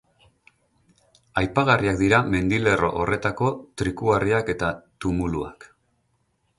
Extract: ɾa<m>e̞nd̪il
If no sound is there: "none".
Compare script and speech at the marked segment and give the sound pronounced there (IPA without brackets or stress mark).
m